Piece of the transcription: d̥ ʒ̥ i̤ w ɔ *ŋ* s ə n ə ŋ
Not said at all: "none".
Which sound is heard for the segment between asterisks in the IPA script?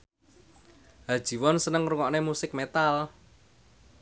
n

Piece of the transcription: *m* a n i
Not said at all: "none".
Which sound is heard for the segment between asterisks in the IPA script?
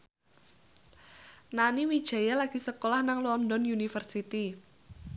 n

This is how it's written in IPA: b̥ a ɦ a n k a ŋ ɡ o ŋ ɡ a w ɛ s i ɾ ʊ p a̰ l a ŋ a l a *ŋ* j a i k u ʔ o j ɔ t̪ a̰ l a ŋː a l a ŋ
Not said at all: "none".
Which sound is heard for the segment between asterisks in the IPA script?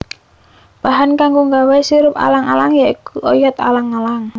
ŋ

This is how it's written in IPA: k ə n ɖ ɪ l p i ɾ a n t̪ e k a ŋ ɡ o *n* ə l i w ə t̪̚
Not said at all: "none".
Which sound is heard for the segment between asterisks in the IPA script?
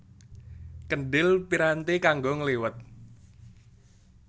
ŋ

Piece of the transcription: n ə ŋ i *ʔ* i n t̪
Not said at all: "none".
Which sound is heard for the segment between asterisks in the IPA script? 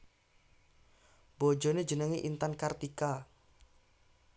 ʔ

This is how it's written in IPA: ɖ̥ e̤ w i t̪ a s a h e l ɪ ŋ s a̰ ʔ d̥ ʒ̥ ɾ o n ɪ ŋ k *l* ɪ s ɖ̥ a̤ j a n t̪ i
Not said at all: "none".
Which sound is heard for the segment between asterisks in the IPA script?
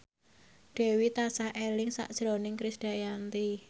ɾ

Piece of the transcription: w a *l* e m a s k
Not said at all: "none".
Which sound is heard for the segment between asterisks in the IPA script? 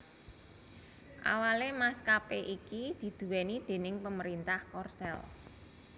l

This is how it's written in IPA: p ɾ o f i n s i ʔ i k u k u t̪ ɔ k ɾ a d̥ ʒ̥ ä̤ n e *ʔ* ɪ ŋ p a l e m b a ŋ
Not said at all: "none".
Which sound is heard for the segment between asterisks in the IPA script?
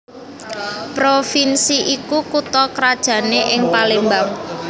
ʔ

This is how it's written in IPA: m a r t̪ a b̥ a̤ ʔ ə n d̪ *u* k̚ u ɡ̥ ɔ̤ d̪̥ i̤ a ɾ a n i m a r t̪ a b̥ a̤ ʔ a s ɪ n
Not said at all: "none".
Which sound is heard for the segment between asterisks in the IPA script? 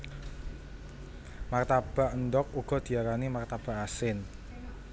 ɔ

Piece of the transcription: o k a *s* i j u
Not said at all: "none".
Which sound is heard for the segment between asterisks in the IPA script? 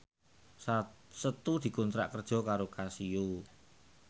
s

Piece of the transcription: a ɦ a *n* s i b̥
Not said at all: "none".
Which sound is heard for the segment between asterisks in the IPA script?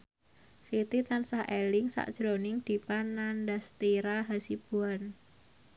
none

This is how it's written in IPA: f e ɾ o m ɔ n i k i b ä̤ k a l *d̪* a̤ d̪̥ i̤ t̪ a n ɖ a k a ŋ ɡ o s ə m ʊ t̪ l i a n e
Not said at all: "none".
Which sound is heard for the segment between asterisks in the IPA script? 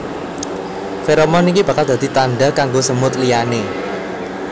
d̪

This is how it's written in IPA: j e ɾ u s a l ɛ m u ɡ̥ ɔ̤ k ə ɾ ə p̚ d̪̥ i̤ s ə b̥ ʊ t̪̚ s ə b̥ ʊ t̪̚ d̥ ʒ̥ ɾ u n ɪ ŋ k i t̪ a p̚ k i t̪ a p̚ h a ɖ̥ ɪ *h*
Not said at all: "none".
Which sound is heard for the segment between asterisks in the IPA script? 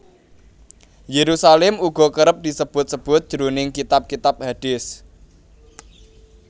s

